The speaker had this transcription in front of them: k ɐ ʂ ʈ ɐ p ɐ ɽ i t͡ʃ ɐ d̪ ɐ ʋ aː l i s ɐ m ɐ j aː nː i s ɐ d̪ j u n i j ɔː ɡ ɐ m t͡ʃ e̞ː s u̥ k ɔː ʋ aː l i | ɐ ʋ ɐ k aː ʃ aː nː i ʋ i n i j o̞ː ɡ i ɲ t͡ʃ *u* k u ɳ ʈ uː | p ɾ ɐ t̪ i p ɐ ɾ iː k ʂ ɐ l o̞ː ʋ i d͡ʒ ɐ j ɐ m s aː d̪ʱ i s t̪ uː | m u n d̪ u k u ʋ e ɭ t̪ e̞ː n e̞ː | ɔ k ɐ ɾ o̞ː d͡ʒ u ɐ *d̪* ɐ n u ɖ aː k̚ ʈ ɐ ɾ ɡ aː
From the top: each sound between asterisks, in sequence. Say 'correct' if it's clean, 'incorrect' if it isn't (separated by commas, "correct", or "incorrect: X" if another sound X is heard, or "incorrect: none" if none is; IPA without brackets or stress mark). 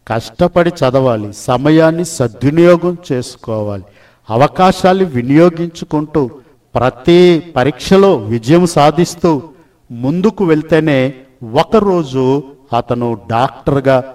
correct, incorrect: t̪